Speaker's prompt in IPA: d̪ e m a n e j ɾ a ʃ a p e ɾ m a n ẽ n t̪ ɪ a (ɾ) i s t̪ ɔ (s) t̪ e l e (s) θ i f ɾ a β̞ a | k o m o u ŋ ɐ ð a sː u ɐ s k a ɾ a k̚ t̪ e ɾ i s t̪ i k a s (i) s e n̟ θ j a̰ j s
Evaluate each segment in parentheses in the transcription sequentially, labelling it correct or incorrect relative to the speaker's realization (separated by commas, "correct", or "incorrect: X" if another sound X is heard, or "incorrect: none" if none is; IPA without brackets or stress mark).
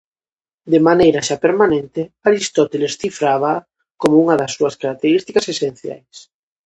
correct, incorrect: none, correct, incorrect: e